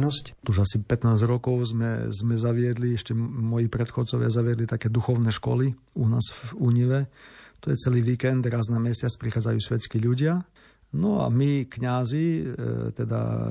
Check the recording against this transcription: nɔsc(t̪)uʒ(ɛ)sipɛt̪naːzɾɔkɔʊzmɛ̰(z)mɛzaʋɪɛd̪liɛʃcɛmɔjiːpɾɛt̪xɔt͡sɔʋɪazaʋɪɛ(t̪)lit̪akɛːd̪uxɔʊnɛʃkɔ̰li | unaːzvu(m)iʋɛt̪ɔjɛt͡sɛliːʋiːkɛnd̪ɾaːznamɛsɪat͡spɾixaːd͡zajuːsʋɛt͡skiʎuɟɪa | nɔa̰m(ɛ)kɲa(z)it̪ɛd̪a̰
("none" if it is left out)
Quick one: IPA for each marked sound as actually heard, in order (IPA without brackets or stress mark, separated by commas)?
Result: t̪, a, z, d̪, ɲ, i, z